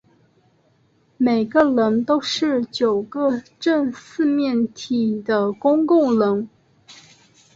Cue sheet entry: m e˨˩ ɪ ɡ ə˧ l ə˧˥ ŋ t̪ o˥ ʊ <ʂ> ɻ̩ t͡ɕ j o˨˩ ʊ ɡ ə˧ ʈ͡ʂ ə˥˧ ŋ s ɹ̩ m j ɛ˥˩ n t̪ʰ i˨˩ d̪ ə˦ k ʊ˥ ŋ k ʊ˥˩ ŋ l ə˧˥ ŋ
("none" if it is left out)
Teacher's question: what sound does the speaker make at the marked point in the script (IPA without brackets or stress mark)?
ʂ